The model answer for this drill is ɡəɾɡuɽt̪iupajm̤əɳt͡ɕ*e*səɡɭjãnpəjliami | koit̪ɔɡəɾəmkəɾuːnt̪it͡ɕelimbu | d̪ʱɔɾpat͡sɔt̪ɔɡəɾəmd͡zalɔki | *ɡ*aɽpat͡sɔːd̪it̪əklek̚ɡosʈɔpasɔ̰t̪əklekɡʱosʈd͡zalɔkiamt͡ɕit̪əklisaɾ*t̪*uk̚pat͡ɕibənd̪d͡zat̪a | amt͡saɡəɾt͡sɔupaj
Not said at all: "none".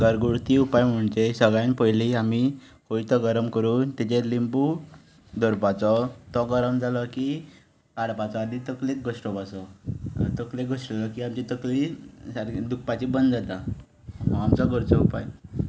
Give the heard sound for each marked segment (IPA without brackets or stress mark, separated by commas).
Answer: e, k, d̪